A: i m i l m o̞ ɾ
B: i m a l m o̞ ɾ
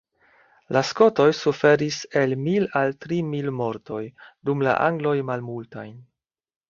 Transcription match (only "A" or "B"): A